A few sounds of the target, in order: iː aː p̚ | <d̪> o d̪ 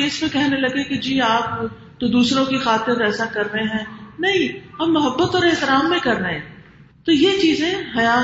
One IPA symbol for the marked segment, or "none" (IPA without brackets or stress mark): t̪